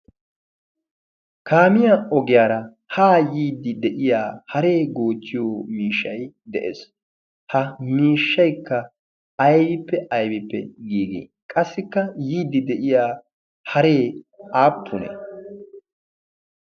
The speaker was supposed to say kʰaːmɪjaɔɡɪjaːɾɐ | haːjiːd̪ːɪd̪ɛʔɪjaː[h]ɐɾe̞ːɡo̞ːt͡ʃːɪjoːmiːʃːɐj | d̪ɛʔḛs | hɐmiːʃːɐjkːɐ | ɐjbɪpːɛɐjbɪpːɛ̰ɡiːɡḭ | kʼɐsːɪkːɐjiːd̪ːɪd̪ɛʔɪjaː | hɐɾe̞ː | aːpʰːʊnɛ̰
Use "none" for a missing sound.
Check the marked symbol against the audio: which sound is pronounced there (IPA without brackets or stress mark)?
h